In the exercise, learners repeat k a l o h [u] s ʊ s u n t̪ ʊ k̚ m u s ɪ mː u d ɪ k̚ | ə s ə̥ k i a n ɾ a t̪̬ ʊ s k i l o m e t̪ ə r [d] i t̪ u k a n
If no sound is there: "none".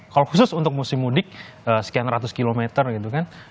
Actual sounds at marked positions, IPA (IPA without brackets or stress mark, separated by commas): u, ɡ